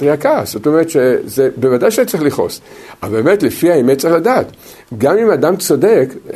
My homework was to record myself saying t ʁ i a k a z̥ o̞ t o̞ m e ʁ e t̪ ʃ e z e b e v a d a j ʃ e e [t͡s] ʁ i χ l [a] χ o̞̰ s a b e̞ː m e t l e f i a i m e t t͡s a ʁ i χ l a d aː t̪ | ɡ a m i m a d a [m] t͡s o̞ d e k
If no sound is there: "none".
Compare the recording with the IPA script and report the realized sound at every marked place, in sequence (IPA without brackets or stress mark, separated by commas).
t͡s, i, m